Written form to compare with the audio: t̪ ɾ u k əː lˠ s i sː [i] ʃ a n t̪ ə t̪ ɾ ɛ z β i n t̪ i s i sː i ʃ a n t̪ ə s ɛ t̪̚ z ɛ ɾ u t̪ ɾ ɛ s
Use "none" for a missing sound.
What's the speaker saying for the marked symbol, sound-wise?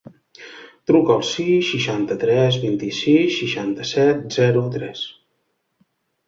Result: i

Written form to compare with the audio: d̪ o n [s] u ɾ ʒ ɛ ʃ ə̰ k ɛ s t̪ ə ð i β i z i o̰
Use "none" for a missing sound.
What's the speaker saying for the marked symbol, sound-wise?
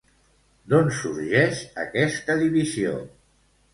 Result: s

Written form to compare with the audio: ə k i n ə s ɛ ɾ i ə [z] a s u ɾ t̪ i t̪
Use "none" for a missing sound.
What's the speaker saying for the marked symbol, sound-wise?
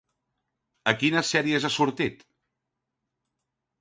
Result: z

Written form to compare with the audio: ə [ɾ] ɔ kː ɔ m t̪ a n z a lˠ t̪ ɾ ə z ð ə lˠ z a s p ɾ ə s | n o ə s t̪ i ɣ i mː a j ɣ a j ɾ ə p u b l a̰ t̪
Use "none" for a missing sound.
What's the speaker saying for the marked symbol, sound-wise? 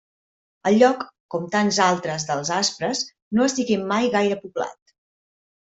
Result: ʎ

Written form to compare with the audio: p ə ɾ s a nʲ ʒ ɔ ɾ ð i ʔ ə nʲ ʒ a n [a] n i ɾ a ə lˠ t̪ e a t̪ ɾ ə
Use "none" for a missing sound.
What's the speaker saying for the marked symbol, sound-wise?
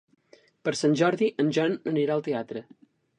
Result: ə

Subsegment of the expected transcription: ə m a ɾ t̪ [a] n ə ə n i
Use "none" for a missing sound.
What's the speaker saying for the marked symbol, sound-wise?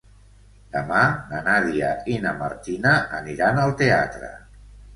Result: i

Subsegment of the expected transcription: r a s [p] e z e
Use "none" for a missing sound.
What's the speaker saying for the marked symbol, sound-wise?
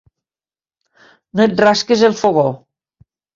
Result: k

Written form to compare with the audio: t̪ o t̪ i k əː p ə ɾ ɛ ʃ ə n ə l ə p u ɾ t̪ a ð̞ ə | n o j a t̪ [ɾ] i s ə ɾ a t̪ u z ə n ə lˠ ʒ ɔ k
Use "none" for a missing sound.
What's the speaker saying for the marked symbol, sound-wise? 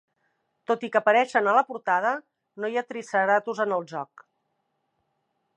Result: ɾ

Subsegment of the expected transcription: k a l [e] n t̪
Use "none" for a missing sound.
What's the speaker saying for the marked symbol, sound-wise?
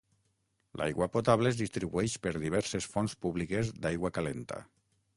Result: e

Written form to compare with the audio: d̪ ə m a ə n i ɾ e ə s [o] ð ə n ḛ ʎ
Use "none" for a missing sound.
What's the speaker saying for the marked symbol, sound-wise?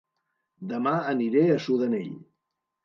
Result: u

